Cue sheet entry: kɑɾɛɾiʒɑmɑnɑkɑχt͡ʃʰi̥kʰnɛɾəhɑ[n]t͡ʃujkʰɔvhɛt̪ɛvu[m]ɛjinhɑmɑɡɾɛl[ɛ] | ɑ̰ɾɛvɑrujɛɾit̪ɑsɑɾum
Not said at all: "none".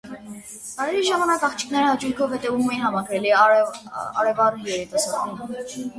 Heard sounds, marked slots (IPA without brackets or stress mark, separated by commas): none, m, i